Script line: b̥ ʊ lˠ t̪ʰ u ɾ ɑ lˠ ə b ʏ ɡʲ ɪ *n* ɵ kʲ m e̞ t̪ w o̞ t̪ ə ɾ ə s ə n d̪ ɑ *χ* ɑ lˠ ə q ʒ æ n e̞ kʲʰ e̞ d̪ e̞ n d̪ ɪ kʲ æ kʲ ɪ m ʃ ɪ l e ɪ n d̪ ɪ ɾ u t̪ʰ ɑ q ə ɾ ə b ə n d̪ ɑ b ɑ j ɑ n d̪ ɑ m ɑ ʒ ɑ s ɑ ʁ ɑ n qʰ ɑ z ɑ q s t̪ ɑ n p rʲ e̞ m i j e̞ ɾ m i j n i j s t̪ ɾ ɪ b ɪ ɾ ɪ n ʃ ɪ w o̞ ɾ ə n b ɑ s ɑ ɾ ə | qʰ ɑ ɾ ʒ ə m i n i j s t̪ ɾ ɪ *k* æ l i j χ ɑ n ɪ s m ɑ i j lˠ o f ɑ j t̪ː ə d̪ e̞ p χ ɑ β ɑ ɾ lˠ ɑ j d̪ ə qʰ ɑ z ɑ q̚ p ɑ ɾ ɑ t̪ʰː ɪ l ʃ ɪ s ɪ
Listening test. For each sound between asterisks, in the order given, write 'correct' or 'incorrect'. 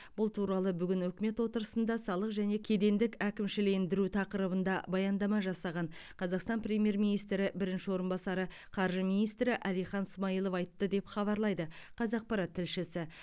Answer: correct, incorrect, incorrect

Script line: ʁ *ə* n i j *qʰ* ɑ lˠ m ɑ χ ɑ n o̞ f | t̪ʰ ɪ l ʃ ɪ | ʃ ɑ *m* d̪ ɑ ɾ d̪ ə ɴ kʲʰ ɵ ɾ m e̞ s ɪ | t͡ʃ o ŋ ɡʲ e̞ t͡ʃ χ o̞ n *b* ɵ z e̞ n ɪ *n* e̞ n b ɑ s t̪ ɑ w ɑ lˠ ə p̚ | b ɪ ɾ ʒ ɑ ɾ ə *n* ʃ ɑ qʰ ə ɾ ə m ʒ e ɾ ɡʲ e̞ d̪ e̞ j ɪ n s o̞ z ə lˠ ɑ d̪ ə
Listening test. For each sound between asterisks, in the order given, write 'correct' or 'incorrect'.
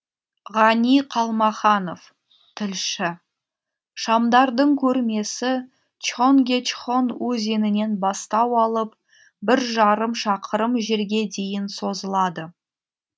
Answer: incorrect, correct, correct, incorrect, correct, incorrect

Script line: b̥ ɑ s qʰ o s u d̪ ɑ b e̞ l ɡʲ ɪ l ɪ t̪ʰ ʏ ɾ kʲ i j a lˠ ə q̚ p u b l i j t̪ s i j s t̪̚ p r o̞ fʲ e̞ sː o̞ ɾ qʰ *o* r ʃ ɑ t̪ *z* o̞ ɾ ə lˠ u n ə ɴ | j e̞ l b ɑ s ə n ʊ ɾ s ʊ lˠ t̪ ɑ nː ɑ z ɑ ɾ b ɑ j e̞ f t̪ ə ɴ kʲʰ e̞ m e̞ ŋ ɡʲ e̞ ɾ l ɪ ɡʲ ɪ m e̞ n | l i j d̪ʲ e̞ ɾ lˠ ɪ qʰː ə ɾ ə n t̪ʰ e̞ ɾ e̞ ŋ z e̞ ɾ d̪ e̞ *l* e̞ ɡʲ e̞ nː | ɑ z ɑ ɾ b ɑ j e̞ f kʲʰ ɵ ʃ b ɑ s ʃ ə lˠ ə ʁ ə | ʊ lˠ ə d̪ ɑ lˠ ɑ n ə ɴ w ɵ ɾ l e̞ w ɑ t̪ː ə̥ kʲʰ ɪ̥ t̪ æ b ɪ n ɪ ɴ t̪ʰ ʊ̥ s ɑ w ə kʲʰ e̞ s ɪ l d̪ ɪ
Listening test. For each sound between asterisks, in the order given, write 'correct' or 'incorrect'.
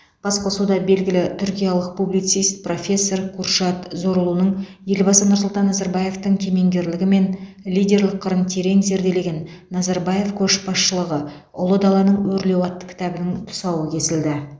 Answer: incorrect, correct, correct

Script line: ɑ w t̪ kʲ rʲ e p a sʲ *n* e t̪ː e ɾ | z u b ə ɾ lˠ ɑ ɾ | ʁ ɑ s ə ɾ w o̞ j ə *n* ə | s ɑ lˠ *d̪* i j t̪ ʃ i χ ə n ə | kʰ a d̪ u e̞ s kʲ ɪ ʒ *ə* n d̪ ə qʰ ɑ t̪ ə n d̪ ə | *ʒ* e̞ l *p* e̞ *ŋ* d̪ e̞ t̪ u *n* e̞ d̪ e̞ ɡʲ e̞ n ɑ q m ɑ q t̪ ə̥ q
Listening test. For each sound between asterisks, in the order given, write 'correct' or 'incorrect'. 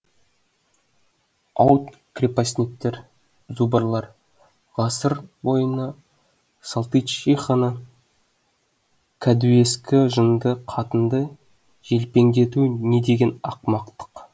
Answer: correct, correct, incorrect, correct, correct, correct, correct, correct

